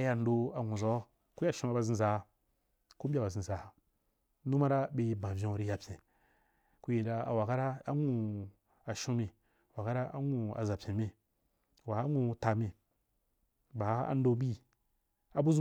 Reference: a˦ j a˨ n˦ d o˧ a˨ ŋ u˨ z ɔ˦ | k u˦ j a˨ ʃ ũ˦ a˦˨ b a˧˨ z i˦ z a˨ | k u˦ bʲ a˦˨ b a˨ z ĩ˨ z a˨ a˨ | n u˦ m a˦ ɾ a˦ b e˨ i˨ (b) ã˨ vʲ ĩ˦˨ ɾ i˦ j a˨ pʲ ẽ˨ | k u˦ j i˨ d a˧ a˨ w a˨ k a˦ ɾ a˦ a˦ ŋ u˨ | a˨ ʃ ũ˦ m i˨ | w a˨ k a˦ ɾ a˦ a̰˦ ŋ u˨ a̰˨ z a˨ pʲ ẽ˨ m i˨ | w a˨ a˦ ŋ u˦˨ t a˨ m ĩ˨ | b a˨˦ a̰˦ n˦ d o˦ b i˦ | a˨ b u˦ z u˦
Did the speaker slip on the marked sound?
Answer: no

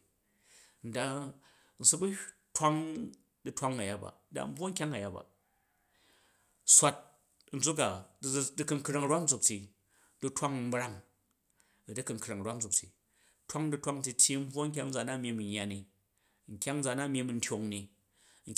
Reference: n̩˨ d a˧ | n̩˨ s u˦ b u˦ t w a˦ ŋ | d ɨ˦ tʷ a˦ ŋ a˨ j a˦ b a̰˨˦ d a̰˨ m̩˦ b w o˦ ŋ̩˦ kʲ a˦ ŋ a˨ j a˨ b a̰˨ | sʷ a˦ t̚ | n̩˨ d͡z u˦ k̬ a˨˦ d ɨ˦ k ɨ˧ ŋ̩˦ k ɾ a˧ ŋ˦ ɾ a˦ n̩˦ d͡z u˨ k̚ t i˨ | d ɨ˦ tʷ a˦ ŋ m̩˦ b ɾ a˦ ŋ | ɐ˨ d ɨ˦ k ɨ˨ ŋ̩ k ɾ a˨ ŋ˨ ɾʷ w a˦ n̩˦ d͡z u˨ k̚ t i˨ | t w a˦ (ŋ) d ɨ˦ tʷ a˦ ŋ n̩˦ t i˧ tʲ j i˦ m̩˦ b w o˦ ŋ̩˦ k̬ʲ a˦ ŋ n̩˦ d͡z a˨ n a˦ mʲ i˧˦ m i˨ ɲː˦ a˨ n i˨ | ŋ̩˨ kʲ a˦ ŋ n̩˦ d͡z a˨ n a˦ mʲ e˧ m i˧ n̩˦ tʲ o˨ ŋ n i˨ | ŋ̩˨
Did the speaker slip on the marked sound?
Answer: no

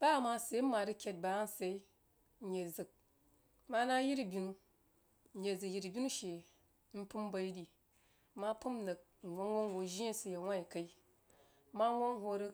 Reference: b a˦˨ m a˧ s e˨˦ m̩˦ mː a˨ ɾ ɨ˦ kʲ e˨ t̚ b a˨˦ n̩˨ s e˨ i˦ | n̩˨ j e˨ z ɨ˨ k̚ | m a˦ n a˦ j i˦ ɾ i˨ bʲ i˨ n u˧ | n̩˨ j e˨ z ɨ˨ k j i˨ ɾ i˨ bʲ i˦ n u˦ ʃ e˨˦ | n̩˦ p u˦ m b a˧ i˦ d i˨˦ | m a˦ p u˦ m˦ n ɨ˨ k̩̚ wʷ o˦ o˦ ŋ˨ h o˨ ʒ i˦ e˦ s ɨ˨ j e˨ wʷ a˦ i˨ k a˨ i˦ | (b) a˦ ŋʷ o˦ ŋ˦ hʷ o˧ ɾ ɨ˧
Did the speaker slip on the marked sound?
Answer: yes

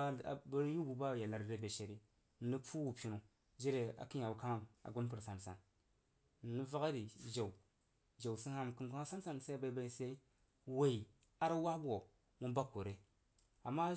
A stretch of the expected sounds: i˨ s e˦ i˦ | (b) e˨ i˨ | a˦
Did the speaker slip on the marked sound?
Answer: yes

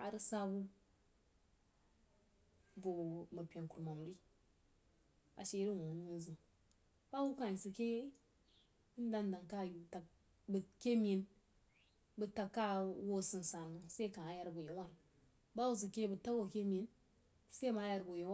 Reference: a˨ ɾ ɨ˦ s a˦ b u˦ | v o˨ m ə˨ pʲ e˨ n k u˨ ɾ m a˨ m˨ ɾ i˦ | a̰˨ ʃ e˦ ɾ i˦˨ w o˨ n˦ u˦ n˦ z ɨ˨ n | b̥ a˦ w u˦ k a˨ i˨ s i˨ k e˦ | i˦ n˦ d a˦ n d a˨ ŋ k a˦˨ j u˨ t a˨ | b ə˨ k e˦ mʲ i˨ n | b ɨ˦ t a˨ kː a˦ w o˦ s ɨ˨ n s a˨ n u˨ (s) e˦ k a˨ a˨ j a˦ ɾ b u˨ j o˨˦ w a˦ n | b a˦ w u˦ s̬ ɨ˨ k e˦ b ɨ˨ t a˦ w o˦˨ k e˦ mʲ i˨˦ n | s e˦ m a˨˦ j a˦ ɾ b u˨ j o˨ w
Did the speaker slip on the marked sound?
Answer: no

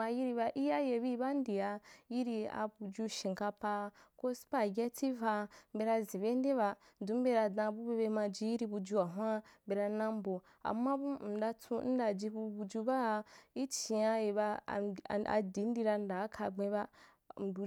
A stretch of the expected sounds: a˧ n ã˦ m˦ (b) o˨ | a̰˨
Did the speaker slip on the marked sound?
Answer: no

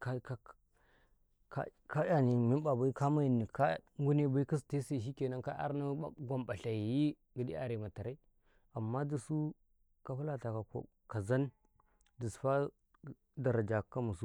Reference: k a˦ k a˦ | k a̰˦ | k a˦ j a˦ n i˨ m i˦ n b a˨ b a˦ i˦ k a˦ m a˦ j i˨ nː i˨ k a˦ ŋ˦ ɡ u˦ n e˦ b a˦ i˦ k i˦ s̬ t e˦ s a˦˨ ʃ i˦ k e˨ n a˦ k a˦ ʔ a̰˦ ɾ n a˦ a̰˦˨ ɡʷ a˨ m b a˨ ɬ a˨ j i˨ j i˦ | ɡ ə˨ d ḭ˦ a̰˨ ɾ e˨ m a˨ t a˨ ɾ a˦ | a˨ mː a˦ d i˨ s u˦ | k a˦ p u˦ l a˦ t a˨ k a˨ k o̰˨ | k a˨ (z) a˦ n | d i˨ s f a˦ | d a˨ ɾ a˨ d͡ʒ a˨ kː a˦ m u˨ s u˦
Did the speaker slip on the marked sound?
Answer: no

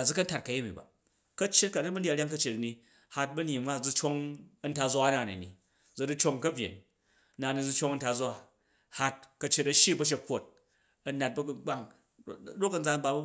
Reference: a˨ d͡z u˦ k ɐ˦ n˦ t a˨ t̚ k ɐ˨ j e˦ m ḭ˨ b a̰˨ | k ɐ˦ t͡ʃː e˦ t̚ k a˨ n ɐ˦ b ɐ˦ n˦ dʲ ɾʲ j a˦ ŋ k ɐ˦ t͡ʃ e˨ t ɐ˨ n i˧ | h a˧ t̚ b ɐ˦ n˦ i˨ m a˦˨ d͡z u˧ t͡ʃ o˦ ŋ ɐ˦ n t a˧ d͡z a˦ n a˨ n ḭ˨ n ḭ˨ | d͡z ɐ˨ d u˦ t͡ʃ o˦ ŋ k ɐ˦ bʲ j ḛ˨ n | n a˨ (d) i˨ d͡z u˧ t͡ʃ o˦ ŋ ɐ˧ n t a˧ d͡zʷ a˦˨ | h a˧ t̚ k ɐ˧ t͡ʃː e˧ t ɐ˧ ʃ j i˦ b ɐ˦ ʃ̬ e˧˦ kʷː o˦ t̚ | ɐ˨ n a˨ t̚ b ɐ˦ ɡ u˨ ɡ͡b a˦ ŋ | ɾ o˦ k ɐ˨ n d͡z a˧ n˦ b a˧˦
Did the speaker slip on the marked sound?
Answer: yes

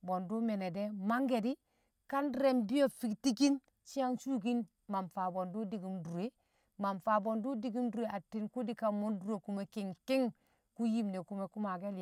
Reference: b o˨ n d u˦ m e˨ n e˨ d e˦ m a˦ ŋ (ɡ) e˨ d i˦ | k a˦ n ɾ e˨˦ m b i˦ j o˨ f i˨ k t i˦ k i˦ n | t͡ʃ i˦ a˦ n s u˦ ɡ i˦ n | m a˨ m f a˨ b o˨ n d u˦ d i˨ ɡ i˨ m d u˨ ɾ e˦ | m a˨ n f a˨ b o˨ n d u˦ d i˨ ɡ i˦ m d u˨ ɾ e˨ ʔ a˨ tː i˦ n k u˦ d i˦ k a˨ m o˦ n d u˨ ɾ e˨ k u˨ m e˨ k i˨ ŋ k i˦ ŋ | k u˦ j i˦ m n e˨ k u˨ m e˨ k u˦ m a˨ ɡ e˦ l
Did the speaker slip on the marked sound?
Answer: no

